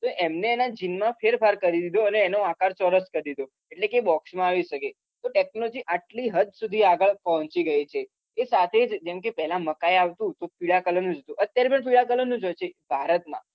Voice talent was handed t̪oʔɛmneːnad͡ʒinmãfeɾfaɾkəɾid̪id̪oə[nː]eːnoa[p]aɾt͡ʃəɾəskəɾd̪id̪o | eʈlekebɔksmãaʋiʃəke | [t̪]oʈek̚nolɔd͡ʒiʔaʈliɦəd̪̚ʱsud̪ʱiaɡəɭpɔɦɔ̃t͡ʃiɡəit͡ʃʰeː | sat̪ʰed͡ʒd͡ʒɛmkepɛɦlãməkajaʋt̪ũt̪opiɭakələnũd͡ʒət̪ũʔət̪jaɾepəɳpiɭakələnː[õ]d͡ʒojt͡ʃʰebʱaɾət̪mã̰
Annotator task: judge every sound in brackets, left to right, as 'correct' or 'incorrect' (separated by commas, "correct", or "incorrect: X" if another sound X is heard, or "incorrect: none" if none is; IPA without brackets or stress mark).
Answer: incorrect: n, incorrect: k, correct, incorrect: ũ